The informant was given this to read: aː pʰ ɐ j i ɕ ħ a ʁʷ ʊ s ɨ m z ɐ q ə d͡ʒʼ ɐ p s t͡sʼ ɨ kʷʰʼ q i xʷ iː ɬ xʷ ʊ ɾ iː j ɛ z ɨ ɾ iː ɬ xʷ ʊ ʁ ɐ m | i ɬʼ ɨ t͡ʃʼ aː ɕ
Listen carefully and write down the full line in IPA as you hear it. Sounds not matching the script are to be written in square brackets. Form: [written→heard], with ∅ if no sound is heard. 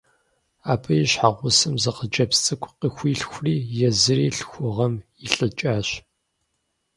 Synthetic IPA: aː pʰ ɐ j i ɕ ħ a ʁʷ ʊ s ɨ m z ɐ q ə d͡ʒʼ ɐ p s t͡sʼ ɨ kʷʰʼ q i xʷ iː ɬ xʷ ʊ [ɾ→r] iː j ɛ z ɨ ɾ iː ɬ xʷ ʊ ʁ ɐ m | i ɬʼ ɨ t͡ʃʼ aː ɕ